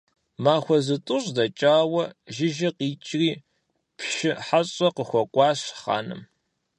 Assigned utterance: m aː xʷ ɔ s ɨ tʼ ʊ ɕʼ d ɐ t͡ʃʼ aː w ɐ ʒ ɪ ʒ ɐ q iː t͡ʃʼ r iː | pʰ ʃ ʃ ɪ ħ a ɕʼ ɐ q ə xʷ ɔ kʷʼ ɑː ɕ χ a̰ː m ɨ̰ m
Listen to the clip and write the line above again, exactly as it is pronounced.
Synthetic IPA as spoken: m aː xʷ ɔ z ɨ tʼ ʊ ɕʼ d ɐ t͡ʃʼ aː w ɐ ʒ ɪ ʒ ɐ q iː t͡ʃʼ r iː | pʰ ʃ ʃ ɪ ħ a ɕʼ ɐ q ə xʷ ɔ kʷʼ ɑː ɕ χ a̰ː n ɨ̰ m